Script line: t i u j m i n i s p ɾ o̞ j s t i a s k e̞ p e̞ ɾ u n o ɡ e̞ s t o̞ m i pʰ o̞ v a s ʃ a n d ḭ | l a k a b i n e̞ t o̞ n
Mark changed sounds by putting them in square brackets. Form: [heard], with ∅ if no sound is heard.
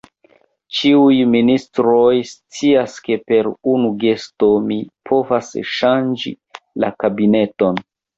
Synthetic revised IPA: [t͡ʃ] i u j m i n i s [t] ɾ o̞ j s [t͡s] i a s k e̞ p e̞ ɾ u n [u] ɡ e̞ s t o̞ m i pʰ o̞ v a s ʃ a n [d͡ʒ] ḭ | l a k a b i n e̞ t o̞ n